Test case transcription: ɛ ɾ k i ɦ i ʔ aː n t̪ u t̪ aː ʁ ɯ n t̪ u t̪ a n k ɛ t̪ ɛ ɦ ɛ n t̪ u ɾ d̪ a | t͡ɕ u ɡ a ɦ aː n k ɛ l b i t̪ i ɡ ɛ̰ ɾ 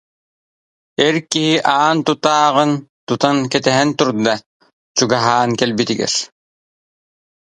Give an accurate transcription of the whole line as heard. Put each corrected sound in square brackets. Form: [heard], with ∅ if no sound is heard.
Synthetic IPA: ɛ ɾ k i ɦ i ʔ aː n t̪ u t̪ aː ʁ ɯ n t̪ u t̪ a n k ɛ t̪ ɛ ɦ ɛ n t̪ u ɾ d̪ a | t͡ɕ u ɡ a ɦ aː n k ɛ l b i t̪ i ɡ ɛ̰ ɾ